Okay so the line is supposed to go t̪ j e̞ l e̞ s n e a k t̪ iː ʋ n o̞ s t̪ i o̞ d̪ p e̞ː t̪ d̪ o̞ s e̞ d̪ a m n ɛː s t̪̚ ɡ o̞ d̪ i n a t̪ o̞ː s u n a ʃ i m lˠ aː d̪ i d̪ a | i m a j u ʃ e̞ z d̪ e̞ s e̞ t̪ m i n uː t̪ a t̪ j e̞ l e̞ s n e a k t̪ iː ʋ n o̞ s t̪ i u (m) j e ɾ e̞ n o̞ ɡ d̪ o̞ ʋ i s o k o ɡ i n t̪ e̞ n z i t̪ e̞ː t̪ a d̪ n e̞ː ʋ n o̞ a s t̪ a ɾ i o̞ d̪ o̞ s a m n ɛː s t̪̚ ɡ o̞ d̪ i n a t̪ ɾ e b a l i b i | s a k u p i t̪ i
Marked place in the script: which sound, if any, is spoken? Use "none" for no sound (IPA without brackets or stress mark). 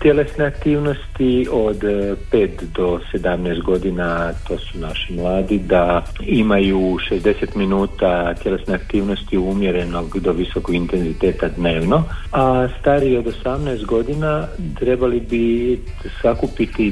m